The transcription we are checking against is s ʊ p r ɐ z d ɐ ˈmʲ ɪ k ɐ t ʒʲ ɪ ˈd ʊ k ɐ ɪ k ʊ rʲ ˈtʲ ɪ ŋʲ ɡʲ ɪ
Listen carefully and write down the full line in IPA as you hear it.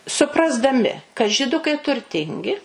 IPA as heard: s ʊ p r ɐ z d ɐ ˈmʲ ɪ k ɐ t ʒʲ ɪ ˈd ʊ k ɐ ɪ t ʊ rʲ ˈtʲ ɪ ŋʲ ɡʲ ɪ